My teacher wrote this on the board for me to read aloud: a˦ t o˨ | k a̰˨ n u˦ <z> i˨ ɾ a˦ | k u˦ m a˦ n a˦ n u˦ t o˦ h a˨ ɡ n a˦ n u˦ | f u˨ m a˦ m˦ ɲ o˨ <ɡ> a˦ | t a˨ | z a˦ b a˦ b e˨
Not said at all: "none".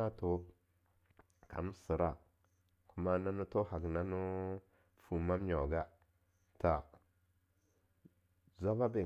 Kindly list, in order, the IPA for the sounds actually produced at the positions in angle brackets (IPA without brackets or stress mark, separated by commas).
s, ɡ